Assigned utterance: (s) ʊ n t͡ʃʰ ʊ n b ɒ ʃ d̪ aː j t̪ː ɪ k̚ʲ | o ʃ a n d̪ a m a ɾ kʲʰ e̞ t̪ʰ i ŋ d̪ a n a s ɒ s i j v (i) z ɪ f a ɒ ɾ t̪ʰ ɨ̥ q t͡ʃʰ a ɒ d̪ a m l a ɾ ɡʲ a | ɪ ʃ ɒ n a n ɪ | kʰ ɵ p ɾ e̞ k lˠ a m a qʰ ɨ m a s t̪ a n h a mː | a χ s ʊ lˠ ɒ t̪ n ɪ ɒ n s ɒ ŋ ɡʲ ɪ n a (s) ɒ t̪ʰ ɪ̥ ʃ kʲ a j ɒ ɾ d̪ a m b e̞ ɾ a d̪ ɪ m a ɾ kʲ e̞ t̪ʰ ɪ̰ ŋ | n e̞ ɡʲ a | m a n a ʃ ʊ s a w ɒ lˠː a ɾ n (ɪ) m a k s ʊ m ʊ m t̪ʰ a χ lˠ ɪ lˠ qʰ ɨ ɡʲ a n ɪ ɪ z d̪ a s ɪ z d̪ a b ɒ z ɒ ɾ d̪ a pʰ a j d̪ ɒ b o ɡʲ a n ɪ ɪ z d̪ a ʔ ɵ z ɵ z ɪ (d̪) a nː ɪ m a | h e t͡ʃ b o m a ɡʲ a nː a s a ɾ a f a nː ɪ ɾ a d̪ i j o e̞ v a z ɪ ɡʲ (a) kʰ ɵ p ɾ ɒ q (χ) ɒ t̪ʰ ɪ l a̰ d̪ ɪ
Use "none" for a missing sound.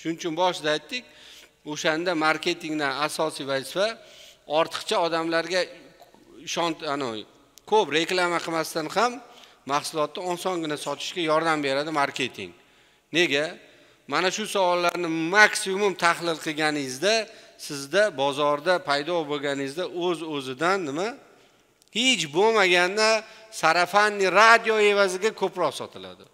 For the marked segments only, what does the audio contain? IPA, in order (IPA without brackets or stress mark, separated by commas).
ʃ, a, s, ɪ, d̪, a, s